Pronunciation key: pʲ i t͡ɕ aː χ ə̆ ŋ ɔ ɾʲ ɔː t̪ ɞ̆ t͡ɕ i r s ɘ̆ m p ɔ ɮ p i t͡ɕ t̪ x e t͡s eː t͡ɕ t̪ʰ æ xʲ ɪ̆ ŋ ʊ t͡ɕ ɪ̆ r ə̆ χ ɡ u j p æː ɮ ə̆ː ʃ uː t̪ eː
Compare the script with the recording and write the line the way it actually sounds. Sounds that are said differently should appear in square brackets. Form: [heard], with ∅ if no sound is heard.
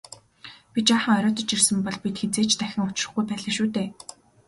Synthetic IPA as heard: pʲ i t͡ɕ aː χ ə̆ ŋ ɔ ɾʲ ɔː t̪ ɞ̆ t͡ɕ i r s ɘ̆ m p ɔ ɮ p i [∅] t̪ x e t͡s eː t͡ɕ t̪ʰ æ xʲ ɪ̆ ŋ ʊ t͡ɕ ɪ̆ r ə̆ χ ɡ u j p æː ɮ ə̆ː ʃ uː t̪ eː